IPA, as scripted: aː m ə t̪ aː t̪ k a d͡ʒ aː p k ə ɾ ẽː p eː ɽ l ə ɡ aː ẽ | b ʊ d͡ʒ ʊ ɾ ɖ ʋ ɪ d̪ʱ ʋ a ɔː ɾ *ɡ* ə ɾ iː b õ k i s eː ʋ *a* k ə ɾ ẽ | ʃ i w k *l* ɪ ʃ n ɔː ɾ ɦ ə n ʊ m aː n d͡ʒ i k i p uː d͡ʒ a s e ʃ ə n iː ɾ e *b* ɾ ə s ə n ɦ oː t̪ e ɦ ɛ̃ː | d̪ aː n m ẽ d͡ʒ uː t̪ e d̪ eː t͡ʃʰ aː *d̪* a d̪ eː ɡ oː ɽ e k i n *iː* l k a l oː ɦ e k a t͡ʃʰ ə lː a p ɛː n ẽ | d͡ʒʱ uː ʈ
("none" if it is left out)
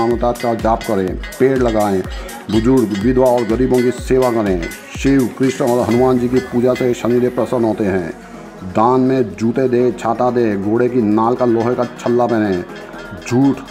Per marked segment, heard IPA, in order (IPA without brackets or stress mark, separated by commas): ɡ, a, ɾ, p, t̪, aː